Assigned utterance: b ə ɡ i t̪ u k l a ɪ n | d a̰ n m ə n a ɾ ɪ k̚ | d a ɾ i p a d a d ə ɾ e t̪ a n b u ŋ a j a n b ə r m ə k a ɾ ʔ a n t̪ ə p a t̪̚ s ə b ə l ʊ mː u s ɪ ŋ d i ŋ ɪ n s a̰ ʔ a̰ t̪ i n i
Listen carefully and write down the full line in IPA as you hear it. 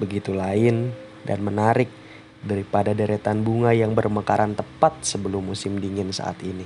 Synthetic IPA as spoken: b ə ɡ i t̪ u l a ɪ n | d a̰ n m ə n a ɾ ɪ k̚ | d a ɾ i p a d a d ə ɾ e t̪ a n b u ŋ a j a ŋ b ə r m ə k a ɾ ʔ a n t̪ ə p a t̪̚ s ə b ə l ʊ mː u s ɪ m d i ŋ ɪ n s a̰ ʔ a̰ t̪ i n i